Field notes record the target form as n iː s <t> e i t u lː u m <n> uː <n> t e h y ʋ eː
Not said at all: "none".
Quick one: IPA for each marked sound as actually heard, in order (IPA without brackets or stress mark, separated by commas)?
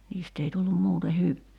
t, m, none